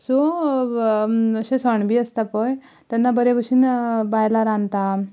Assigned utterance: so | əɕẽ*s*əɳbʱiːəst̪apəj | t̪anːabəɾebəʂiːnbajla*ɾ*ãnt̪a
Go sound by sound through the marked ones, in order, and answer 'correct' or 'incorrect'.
correct, correct

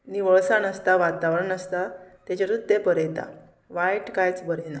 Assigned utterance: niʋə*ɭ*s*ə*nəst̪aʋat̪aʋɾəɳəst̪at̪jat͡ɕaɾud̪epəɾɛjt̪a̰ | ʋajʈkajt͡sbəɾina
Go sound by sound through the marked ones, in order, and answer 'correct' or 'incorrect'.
correct, incorrect: a

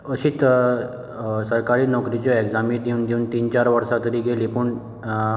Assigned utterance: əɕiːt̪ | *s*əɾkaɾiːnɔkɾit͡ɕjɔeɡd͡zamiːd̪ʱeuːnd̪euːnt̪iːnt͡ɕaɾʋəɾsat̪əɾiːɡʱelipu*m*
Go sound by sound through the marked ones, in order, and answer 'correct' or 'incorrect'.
correct, incorrect: ɳ

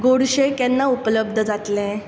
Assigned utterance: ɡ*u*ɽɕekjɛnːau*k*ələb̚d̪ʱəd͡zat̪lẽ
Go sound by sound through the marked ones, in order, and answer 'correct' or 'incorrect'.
incorrect: o, incorrect: p

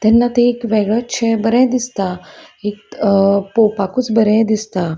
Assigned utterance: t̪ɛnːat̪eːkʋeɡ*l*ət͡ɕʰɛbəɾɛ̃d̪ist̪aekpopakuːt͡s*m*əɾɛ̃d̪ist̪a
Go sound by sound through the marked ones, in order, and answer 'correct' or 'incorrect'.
incorrect: ɭ, incorrect: b

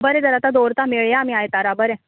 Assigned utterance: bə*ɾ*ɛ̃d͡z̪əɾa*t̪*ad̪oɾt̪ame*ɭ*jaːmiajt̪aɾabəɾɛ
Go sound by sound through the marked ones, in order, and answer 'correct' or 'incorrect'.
correct, correct, correct

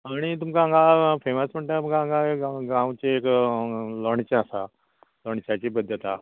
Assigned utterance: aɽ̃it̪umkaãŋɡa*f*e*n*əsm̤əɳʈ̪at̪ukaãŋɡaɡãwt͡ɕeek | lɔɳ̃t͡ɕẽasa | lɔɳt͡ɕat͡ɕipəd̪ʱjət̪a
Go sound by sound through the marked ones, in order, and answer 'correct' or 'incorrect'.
correct, incorrect: m

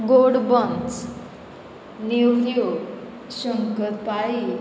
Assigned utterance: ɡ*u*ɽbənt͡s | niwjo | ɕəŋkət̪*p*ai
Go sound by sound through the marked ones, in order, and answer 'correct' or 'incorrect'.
incorrect: o, correct

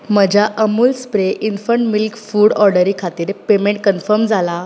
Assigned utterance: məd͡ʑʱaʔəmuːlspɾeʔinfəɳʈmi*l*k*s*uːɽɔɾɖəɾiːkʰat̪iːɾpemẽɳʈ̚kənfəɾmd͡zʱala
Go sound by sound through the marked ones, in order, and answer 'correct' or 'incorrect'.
correct, incorrect: f

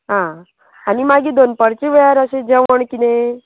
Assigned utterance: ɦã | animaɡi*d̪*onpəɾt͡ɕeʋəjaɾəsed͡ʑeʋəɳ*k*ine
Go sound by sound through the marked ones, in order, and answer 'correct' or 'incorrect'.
correct, correct

